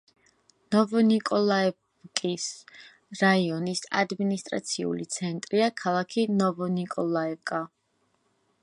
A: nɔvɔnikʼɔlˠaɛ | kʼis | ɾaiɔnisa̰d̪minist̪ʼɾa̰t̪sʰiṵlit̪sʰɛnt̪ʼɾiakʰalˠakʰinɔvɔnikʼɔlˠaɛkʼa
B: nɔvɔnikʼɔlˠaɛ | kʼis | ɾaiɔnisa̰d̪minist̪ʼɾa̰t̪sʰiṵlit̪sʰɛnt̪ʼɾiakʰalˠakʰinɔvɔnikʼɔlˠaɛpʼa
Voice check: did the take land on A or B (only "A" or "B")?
A